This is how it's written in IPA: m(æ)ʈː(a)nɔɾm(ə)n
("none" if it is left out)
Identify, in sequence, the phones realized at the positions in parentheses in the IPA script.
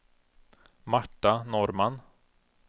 a, a, a

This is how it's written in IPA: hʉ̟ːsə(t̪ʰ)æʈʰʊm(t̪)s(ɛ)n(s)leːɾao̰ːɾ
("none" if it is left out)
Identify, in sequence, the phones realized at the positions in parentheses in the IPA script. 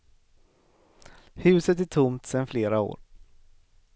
t̪, t̪, ɛ, f

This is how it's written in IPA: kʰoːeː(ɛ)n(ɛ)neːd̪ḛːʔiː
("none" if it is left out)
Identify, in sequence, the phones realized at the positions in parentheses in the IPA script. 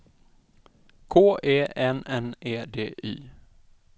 ɛ, ɛ

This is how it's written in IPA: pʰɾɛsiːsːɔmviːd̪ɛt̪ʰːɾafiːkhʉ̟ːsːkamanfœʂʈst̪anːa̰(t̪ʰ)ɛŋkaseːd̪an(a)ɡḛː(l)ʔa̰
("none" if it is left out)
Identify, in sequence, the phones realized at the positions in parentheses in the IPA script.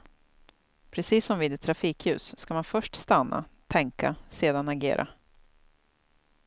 t̪ʰ, a, ɾ

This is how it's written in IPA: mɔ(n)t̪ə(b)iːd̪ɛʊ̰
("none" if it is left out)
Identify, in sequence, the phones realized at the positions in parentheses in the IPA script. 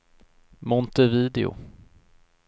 n, v

